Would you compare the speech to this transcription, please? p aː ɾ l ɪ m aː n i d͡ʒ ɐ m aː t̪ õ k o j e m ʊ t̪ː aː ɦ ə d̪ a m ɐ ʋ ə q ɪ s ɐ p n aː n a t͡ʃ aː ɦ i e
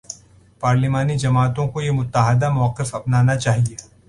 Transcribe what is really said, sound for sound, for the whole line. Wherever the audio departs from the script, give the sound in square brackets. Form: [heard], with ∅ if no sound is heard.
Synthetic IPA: p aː ɾ l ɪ m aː n i d͡ʒ ɐ m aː t̪ õ k o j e m ʊ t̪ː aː ɦ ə d̪ a m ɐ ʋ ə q ɪ [f] ɐ p n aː n a t͡ʃ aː ɦ i e